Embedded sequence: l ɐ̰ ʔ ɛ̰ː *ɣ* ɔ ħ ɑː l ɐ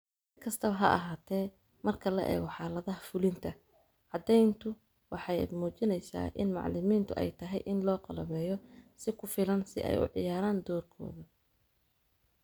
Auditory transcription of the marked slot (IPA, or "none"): ɣ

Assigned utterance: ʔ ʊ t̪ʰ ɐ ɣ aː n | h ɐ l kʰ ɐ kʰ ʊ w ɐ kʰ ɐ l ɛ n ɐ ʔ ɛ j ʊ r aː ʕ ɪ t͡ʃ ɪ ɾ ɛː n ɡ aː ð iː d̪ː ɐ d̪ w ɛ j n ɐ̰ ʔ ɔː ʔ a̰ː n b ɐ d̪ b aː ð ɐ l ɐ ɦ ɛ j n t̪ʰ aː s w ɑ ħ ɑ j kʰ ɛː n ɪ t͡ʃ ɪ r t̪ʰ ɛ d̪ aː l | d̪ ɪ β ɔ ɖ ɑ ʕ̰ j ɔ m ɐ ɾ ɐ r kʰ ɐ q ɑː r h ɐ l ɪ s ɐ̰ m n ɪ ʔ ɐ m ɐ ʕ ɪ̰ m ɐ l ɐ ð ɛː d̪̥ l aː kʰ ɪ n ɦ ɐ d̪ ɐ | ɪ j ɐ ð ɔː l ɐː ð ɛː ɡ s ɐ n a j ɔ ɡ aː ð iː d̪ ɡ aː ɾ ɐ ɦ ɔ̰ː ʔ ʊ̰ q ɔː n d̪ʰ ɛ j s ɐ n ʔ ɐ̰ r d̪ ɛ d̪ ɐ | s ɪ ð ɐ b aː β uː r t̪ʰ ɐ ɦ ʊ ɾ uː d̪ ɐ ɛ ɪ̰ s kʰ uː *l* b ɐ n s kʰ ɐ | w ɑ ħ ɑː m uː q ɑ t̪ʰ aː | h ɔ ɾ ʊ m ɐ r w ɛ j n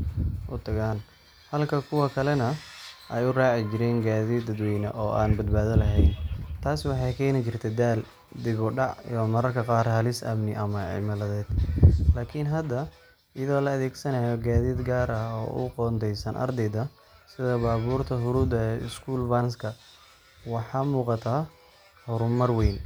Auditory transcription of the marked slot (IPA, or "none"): l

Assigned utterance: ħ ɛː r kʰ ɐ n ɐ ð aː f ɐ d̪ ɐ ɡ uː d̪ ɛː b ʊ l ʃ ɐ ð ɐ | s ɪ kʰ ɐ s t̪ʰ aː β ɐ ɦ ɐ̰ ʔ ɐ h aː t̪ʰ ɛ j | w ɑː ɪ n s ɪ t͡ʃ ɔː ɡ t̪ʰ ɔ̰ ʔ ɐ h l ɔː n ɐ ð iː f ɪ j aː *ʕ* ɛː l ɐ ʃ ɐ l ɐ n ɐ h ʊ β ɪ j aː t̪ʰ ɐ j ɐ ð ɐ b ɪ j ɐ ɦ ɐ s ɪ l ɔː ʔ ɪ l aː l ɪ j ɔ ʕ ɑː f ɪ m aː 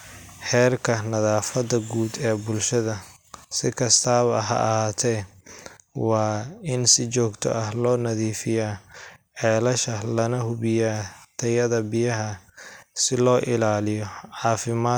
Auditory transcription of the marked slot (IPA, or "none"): ʕ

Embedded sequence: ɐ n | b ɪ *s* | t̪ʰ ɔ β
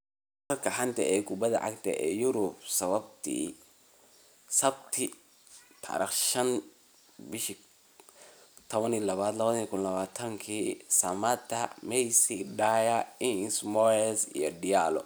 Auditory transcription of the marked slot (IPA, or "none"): ʃ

